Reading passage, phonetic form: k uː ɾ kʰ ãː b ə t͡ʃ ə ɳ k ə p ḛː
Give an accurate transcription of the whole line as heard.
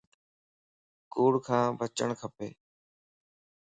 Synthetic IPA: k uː ɽ kʰ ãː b ə t͡ʃ ə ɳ kʰ ə p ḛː

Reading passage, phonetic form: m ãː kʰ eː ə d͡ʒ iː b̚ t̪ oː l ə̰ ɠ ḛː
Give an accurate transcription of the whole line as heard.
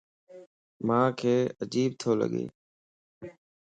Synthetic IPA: m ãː kʰ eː ə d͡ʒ iː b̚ t̪ʰ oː l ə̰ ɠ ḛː

